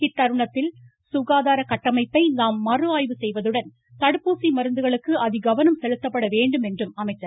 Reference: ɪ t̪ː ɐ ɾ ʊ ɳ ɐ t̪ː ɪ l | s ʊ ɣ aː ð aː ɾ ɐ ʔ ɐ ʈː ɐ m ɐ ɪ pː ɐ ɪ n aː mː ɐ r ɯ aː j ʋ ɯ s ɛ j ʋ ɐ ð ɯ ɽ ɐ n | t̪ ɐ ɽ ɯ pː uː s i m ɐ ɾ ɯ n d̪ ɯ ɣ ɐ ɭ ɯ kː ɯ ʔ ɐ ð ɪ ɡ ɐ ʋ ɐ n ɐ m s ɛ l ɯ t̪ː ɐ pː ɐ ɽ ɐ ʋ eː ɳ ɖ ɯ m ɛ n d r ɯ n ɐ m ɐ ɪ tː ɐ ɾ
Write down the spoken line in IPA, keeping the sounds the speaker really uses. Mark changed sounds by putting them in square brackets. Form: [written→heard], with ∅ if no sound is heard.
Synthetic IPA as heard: ɪ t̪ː ɐ ɾ [ʊ→ɯ] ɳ ɐ t̪ː ɪ l | s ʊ ɣ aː ð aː ɾ ɐ [ʔ→k] ɐ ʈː ɐ m ɐ ɪ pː ɐ ɪ n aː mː ɐ r ɯ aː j ʋ ɯ s ɛ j ʋ ɐ ð ɯ ɽ ɐ n | t̪ ɐ ɽ ɯ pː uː s i m ɐ ɾ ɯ n d̪ ɯ ɣ ɐ ɭ ɯ kː ɯ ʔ ɐ ð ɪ ɡ ɐ ʋ ɐ n ɐ m s ɛ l ɯ t̪ː ɐ pː ɐ ɽ ɐ ʋ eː ɳ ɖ ɯ m ɛ n d r ɯ [n→m] ɐ m ɐ ɪ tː ɐ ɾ